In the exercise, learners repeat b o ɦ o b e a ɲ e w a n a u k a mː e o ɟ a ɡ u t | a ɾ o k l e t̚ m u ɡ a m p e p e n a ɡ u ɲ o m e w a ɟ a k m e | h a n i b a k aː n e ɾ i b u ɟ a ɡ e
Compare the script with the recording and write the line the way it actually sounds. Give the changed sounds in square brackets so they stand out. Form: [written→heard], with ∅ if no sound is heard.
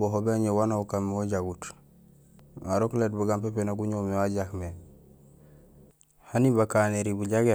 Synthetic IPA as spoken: b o ɦ o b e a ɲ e w a n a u k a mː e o ɟ a ɡ u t | a ɾ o k l e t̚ [m→b] u ɡ a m p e p e n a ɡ u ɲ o m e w a ɟ a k m e | h a n i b a k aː n e ɾ i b u ɟ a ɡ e

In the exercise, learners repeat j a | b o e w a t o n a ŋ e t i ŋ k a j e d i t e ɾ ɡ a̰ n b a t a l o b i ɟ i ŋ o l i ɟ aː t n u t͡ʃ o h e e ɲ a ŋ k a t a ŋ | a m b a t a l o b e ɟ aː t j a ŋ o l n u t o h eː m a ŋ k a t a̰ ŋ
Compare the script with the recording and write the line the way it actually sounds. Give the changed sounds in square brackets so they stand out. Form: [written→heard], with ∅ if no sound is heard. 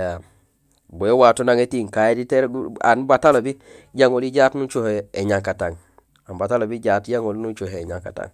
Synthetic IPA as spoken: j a | b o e w a t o n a ŋ e t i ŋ k a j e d i t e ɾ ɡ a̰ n b a t a l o b i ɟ [i→a] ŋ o l i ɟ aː t n u t͡ʃ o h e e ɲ a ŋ k a t a ŋ | a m b a t a l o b [e→i] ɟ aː t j a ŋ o l n u [t→t͡ʃ] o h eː [m→ɲ] a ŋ k a t a̰ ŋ

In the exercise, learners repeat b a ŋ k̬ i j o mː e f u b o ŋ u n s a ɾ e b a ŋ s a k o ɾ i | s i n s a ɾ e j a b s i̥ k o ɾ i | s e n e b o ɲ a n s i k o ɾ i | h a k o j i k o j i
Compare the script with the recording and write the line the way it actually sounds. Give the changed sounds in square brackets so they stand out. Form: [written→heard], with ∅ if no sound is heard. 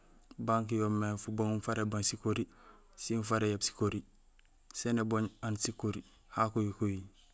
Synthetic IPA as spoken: b a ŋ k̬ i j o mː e f u b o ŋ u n [s→f] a ɾ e b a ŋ s [a→i] k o ɾ i | s i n [s→f] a ɾ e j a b s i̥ k o ɾ i | s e n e b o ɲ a n s i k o ɾ i | h a k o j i k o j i

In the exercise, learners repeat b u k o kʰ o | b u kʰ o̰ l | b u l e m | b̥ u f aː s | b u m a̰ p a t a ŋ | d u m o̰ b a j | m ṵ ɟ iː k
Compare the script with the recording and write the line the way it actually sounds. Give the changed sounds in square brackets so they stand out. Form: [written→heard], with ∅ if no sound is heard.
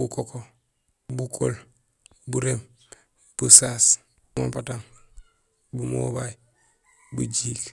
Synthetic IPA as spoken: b u k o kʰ o | b u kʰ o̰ l | b u [l→ɾ] e m | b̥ u [f→s] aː s | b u m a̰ p a t a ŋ | [d→b] u m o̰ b a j | [m→b] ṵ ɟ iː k

